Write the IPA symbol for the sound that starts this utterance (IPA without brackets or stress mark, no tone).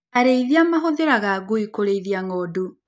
a